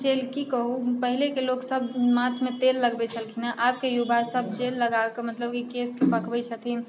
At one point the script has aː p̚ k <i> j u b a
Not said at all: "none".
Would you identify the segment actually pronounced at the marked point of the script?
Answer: e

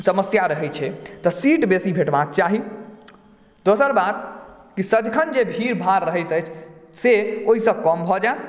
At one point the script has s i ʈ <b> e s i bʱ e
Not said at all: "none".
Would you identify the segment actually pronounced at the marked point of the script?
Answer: b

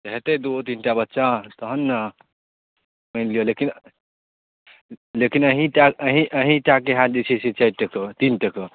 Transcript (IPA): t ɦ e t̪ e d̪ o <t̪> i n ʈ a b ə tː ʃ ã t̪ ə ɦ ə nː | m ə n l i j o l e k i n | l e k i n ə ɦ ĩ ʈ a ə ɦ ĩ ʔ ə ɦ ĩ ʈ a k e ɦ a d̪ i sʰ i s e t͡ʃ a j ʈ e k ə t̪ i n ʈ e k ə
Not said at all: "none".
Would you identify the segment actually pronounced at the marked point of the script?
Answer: t̪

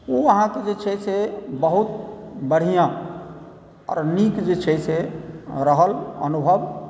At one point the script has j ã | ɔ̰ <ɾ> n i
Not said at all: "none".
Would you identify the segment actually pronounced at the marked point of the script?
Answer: ɾ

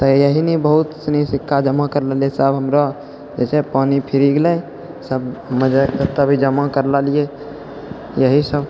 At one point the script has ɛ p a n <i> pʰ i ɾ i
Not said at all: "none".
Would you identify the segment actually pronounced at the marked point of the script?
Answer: i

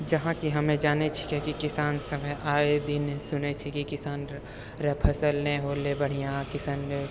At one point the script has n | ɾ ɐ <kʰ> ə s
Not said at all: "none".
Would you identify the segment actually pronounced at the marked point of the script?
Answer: pʰ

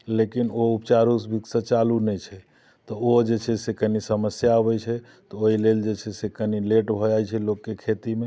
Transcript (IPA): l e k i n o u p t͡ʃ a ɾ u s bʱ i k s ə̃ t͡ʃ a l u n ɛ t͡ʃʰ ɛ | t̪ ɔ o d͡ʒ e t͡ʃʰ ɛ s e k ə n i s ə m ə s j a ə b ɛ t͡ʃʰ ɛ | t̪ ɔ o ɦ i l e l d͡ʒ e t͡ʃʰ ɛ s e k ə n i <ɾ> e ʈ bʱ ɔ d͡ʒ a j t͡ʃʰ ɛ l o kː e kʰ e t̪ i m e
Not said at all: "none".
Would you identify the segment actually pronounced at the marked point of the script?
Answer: l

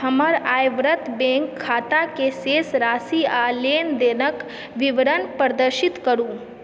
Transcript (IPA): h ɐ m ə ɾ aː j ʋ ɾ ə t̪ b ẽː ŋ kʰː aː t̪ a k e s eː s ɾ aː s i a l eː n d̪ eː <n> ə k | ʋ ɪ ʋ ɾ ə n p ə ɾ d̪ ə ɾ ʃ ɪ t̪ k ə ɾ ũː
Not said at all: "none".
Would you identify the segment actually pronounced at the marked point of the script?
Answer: n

